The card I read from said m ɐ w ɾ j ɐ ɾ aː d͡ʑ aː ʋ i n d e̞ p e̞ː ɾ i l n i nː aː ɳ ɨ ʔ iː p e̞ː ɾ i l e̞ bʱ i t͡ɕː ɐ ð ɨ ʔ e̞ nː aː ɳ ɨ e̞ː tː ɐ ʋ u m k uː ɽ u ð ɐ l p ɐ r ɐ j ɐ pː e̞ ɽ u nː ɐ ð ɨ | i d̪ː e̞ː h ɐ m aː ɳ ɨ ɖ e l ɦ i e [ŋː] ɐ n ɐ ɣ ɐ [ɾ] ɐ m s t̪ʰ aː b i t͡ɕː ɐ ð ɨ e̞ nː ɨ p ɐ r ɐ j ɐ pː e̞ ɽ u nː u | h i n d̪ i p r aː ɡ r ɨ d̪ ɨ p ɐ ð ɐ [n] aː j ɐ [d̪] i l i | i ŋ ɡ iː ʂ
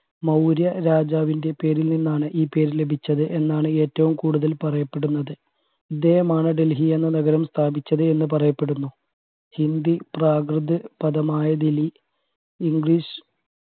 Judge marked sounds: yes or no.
no, yes, no, yes

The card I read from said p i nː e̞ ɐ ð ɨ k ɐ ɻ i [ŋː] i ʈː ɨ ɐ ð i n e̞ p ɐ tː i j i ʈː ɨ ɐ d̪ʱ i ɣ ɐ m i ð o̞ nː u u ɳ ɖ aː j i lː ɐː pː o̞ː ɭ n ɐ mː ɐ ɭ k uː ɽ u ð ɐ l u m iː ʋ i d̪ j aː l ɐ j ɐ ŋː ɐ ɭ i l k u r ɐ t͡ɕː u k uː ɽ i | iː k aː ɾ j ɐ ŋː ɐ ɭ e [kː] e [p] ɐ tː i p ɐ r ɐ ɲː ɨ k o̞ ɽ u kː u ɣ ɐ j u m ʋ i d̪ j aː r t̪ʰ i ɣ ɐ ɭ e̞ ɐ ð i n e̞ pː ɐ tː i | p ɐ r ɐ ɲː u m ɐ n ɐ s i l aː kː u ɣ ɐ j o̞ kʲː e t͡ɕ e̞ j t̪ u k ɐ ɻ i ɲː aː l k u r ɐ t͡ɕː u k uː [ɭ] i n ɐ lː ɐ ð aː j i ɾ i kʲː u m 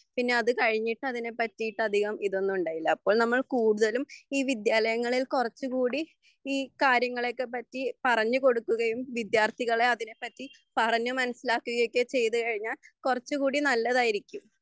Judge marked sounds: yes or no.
no, yes, yes, no

